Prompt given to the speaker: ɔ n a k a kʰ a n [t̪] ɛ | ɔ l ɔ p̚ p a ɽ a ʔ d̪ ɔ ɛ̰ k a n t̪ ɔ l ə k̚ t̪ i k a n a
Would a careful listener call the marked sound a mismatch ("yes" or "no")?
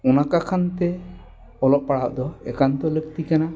no